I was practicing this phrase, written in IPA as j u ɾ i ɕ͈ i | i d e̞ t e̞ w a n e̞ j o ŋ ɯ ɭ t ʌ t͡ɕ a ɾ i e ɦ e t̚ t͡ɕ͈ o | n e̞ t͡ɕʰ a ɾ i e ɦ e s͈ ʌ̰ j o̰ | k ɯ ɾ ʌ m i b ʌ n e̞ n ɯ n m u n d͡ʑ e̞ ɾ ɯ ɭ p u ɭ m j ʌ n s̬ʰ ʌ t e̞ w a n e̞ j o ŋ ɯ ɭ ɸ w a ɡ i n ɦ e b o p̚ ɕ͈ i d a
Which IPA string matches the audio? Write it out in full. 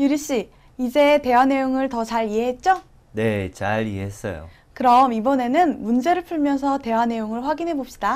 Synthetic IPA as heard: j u ɾ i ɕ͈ i | i d͡ʑ e̞ t e̞ w a n e̞ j o ŋ ɯ ɭ t ʌ t͡ɕ a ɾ i e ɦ e t̚ t͡ɕ͈ o | n e̞ t͡ɕ a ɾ i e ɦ e s͈ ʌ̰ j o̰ | k ɯ ɾ ʌ m i b ʌ n e̞ n ɯ n m u n d͡ʑ e̞ ɾ ɯ ɭ pʰ u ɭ m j ʌ n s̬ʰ ʌ t e̞ w a n e̞ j o ŋ ɯ ɭ ɸ w a ɡ i n ɦ e b o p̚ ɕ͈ i d a